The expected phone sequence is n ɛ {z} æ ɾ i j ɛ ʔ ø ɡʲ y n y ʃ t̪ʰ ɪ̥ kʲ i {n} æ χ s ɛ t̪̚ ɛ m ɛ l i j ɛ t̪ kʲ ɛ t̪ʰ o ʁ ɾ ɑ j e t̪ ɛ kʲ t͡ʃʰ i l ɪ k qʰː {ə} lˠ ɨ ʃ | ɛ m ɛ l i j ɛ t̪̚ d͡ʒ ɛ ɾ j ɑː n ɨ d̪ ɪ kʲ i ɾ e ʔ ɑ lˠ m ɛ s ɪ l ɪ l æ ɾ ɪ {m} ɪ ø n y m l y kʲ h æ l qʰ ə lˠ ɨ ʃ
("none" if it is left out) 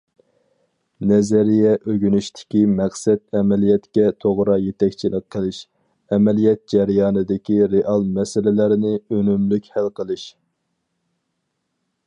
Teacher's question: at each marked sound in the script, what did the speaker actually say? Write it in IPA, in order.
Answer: z, m, ə, n

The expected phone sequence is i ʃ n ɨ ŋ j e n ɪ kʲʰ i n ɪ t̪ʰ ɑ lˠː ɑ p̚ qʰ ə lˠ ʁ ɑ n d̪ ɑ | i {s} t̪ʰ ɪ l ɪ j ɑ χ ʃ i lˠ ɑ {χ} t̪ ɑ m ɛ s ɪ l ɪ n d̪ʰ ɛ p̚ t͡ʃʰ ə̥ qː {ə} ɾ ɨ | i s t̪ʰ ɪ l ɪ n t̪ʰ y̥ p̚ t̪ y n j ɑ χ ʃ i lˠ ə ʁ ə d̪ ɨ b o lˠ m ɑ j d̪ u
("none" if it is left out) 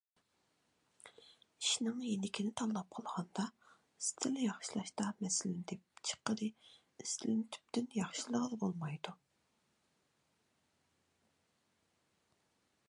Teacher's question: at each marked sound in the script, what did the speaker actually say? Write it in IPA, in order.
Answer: s, ʃ, ə

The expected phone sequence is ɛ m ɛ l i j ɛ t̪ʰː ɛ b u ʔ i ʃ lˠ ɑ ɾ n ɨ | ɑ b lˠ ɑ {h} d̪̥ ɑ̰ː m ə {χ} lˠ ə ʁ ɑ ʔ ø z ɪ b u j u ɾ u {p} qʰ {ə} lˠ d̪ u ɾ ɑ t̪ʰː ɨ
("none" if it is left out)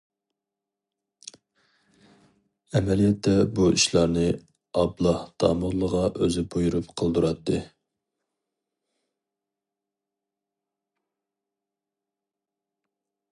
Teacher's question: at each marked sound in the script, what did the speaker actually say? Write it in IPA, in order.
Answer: h, ʁ, p, ə

